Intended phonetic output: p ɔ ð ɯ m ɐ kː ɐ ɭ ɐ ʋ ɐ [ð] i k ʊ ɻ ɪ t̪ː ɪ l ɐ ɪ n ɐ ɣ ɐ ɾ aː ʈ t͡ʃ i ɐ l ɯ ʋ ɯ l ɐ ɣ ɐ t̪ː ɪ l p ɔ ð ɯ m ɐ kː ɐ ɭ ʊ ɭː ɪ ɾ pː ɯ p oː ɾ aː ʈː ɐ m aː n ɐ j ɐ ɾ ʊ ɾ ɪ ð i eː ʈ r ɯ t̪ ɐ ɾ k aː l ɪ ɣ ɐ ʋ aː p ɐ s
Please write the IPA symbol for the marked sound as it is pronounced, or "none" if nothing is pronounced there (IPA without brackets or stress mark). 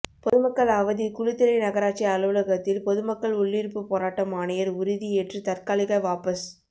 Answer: ð